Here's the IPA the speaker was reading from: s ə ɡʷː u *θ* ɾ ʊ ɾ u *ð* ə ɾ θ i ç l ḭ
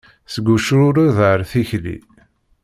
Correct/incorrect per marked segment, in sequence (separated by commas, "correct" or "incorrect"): incorrect, correct